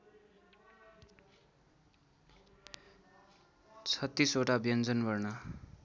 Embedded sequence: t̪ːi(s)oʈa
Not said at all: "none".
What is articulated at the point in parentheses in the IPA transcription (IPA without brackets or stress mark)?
s